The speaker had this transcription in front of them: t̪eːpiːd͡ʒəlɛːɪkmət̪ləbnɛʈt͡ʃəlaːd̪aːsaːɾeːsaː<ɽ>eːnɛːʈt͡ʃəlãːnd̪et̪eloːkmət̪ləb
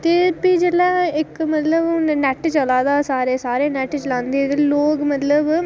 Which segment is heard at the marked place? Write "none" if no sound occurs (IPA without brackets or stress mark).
ɾ